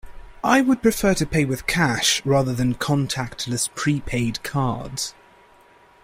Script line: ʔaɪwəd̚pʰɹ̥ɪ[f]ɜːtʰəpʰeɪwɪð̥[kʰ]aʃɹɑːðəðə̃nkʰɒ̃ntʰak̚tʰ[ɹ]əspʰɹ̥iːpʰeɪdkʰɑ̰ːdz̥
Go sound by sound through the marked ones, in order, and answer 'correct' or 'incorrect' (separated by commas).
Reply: correct, correct, incorrect